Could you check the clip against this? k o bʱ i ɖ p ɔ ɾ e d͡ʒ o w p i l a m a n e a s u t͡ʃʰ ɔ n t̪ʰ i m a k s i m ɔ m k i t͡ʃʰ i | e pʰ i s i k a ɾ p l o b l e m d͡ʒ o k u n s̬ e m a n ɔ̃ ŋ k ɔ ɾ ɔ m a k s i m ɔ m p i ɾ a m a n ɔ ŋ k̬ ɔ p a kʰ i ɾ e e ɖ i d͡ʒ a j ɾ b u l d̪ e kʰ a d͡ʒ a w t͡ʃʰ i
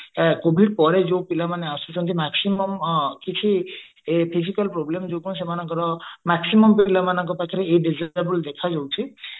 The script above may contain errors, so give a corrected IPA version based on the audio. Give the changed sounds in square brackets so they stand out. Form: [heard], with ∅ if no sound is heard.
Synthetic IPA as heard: k o bʱ i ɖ p ɔ ɾ e d͡ʒ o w p i l a m a n e a s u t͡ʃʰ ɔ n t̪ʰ i m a k s i m ɔ m k i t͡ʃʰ i | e pʰ i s i k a [l] p [ɾ] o b l e m d͡ʒ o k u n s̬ e m a n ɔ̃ ŋ k ɔ ɾ ɔ m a k s i m ɔ m p i [l] a m a n ɔ ŋ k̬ ɔ p a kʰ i ɾ e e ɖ i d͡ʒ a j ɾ b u l d̪ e kʰ a d͡ʒ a w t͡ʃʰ i